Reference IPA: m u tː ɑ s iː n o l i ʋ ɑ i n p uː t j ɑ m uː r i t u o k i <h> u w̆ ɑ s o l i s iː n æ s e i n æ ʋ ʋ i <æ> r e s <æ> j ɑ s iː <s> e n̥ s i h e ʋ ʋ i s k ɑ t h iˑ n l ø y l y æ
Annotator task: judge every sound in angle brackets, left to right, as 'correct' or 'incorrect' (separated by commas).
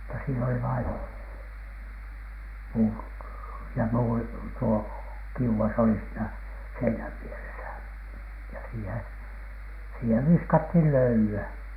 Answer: incorrect, incorrect, correct, incorrect